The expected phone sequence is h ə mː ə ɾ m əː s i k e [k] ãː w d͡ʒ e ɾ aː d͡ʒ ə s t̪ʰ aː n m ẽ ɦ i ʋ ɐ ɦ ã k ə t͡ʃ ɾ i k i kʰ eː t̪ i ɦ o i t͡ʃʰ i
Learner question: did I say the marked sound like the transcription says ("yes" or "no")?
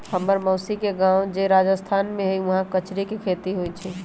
no